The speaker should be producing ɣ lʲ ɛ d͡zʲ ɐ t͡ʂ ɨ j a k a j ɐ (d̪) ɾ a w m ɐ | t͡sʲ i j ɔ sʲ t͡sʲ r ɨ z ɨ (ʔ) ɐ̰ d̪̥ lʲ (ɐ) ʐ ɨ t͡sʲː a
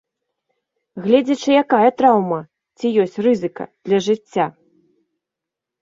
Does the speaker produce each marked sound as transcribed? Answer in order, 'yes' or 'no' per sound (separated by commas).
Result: no, no, yes